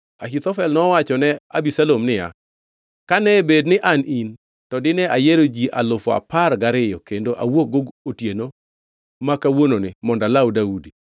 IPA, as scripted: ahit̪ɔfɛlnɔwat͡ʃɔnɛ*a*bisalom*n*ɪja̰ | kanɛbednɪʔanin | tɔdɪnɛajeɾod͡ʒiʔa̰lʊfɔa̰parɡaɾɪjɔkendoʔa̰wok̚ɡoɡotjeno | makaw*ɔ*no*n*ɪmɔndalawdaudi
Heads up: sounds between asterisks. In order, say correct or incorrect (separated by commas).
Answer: correct, correct, incorrect, correct